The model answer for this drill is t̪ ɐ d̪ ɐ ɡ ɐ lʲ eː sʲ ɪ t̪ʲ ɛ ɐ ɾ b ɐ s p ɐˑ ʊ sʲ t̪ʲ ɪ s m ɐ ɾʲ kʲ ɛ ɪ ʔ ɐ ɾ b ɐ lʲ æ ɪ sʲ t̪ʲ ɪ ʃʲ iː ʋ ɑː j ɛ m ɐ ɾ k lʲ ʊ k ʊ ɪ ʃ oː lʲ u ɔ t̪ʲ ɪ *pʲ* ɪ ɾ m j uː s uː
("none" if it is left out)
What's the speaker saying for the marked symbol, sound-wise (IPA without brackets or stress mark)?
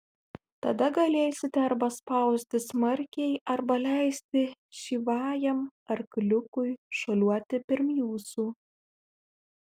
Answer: pʲ